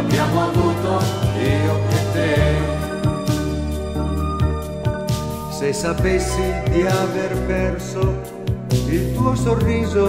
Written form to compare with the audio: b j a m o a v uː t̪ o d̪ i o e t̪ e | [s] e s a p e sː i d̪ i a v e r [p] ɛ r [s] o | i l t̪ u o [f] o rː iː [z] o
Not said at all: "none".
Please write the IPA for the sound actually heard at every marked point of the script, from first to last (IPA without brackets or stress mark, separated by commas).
s, p, s, s, z